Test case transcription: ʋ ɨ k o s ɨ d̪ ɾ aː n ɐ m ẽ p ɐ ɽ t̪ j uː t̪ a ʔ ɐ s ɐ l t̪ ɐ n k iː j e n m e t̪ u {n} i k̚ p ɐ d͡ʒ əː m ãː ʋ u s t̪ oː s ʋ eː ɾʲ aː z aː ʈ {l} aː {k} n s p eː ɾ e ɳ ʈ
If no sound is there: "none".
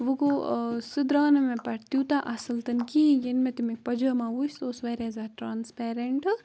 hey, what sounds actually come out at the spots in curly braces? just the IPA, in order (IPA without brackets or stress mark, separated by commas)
m, ɾ, none